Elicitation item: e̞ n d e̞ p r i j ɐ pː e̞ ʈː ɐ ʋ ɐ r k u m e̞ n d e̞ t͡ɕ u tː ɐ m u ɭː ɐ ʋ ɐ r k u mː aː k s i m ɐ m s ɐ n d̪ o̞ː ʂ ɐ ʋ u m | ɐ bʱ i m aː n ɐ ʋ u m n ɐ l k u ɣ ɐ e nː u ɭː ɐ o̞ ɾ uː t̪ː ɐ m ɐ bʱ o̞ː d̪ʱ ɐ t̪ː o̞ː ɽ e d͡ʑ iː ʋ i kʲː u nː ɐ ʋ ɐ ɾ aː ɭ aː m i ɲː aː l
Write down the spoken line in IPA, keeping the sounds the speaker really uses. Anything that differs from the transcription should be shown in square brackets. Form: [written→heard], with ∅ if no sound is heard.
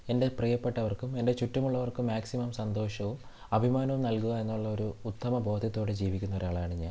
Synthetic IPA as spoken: e̞ n d e̞ p r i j ɐ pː e̞ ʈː ɐ ʋ ɐ r k u m e̞ n d e̞ t͡ɕ u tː ɐ m u ɭː ɐ ʋ ɐ r k u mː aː k s i m ɐ m s ɐ n d̪ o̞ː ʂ ɐ ʋ u m | ɐ bʱ i m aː n ɐ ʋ u m n ɐ l k u ɣ ɐ e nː u ɭː ɐ o̞ ɾ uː t̪ː ɐ m ɐ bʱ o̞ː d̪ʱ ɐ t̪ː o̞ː ɽ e d͡ʑ iː ʋ i kʲː u nː ɐ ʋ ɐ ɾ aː ɭ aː [m→ɳ] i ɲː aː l